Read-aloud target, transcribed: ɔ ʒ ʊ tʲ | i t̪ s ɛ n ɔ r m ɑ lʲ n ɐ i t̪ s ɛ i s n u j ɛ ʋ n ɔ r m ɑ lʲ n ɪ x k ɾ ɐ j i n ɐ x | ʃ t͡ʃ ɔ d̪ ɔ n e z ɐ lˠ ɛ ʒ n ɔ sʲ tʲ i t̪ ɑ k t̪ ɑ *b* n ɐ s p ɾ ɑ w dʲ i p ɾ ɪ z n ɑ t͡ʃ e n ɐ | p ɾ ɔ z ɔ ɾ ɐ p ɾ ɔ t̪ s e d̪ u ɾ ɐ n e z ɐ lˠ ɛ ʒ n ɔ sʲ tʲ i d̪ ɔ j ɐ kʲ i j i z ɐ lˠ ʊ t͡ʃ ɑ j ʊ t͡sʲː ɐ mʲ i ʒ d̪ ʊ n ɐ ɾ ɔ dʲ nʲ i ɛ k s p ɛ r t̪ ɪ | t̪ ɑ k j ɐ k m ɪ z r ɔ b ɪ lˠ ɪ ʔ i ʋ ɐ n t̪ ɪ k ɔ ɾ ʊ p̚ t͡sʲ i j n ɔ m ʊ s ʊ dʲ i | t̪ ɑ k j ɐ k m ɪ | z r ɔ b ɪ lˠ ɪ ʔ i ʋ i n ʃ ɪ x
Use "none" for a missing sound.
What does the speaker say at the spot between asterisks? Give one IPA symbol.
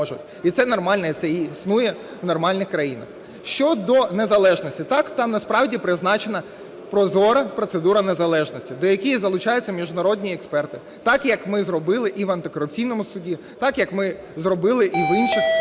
m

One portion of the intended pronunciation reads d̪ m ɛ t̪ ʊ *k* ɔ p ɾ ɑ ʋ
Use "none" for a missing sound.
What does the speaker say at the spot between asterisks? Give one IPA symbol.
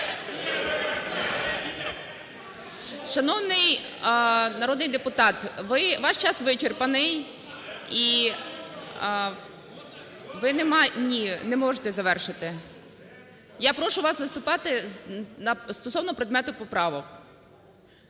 p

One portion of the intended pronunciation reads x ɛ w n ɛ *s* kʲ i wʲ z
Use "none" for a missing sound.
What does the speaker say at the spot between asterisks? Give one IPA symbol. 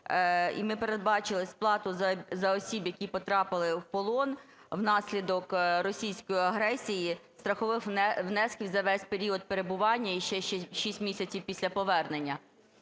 s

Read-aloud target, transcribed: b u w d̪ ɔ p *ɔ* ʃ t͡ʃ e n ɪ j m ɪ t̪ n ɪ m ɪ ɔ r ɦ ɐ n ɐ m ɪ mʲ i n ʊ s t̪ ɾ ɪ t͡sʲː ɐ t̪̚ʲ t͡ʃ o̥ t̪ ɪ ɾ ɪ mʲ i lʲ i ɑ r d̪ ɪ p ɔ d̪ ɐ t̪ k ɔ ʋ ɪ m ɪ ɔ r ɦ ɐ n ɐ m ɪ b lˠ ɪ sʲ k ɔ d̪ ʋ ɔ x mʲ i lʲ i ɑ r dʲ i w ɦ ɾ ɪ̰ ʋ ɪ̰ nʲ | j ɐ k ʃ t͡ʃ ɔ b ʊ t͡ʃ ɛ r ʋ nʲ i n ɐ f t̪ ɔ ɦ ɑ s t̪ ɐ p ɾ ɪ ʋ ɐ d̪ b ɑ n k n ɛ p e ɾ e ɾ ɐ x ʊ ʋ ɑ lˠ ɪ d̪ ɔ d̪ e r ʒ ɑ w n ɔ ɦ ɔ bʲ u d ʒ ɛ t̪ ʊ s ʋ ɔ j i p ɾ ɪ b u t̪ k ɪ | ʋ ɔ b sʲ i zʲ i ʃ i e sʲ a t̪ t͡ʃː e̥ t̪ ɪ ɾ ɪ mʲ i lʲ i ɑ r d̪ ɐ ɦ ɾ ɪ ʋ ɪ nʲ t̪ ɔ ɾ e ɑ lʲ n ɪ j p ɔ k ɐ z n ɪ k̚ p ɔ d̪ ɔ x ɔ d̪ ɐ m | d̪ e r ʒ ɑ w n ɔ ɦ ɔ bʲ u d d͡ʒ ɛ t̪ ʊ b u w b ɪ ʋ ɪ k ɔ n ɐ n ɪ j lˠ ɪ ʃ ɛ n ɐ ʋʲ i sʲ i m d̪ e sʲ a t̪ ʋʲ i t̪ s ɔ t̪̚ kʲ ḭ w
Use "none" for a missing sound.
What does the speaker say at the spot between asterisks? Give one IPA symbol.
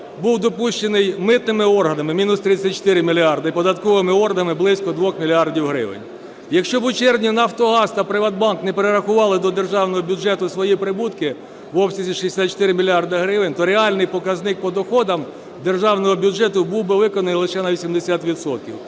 u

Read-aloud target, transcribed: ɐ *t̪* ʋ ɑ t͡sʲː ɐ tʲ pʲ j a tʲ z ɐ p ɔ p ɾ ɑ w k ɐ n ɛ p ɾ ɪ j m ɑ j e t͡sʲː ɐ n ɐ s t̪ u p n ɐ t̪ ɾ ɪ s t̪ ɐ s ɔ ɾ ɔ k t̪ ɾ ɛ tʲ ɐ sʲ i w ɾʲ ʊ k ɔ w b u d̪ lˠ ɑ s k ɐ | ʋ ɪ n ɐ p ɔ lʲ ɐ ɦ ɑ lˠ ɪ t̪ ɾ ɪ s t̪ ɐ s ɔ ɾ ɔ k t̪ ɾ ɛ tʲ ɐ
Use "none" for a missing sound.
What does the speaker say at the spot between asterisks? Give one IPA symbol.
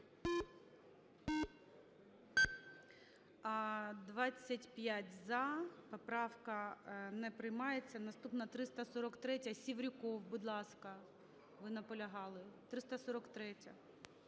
d̪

